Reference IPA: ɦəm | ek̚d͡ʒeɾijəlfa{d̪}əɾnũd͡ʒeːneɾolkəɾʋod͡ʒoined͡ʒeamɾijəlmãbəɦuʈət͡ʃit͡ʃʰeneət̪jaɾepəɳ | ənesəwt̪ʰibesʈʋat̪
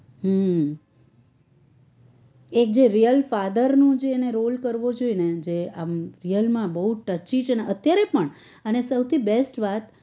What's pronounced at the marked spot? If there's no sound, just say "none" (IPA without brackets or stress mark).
d̪